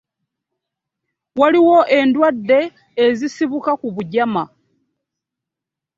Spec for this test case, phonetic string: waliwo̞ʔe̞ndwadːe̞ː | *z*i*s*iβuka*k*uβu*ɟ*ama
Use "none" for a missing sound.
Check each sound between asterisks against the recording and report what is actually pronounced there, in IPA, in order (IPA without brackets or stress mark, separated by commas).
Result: z, s, k, ɟ